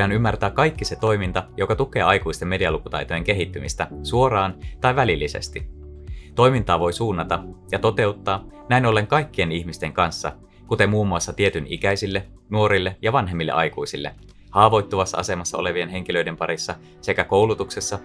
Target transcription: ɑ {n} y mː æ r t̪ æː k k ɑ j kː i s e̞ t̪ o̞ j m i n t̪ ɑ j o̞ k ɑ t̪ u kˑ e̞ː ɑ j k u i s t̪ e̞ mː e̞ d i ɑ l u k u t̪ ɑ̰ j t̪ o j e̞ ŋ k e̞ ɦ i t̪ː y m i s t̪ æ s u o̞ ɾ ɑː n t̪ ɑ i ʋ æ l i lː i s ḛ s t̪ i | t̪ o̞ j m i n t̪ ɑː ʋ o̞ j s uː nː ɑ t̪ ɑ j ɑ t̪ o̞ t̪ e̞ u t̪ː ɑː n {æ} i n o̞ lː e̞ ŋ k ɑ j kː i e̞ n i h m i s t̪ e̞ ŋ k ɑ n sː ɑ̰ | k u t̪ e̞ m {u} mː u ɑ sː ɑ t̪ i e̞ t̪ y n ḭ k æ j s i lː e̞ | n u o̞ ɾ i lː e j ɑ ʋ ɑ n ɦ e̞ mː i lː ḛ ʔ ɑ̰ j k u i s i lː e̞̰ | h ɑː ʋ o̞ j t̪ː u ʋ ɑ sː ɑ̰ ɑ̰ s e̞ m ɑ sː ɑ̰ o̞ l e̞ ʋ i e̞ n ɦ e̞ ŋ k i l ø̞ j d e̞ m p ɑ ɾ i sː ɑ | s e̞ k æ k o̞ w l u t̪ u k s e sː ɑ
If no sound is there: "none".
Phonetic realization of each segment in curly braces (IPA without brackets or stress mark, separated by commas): n, æ, uː